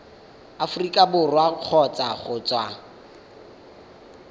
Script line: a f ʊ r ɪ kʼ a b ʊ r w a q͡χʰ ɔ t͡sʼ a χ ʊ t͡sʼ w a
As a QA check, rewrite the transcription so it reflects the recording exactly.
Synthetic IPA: a f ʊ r i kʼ a b ʊ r w a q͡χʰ ɔ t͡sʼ a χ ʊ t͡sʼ w a